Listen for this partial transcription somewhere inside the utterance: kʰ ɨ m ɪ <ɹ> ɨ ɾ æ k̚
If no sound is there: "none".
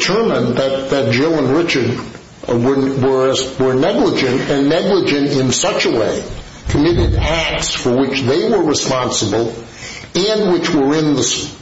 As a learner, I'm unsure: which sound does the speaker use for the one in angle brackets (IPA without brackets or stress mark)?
ɾ